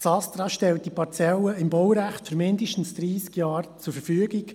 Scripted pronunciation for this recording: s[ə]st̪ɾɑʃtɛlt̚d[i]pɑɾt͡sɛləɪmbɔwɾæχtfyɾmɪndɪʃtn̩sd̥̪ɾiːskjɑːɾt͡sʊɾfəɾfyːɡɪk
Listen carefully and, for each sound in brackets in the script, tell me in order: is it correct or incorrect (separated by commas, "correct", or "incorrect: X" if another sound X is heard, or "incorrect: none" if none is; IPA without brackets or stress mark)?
incorrect: ɑ, correct